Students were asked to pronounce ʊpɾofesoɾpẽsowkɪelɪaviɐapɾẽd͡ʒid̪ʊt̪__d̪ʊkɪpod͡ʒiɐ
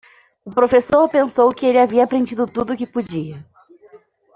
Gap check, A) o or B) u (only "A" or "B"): B